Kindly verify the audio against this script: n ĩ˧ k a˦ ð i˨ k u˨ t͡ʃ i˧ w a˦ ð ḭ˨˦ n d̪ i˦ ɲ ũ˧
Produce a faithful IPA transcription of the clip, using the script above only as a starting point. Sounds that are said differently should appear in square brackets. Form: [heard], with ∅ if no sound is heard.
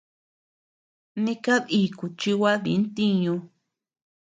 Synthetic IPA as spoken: n ĩ˧ k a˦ ð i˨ k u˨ t͡ʃ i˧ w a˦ ð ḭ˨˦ n [t̪] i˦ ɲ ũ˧